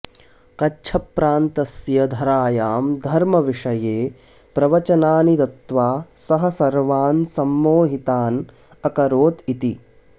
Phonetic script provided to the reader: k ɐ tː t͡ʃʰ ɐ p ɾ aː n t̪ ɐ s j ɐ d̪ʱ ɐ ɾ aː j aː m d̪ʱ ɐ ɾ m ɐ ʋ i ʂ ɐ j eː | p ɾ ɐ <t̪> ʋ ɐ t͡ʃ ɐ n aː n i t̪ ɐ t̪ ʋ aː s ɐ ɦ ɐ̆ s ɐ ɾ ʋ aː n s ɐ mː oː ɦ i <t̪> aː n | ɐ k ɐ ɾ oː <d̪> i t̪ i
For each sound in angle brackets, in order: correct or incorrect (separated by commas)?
incorrect, correct, incorrect